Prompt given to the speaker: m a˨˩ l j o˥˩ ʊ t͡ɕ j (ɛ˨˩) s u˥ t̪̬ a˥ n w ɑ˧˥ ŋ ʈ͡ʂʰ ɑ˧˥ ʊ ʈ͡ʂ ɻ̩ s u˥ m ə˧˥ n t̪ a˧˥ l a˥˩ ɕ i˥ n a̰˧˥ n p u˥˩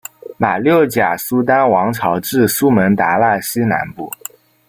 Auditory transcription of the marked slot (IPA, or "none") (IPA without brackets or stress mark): a˨˩